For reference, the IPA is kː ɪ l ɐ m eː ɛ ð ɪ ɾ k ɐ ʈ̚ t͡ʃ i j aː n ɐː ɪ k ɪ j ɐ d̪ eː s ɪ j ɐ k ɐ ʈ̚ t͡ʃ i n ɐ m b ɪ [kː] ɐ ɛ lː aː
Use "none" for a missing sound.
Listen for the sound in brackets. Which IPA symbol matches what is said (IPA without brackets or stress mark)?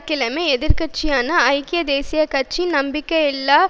kː